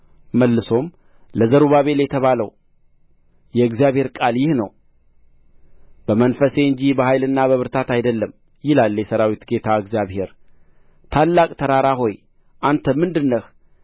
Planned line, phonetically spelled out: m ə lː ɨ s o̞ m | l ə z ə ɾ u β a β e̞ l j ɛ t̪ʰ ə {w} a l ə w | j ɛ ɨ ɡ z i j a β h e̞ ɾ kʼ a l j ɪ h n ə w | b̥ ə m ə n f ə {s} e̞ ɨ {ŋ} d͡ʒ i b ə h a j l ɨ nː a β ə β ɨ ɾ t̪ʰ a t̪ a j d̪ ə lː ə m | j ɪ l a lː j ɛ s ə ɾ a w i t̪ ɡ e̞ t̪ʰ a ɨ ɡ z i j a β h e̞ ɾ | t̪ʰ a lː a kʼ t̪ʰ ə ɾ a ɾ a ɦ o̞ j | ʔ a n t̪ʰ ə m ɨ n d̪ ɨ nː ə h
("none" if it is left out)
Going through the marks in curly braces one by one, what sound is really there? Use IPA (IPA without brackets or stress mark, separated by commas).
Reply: β, s, ɲ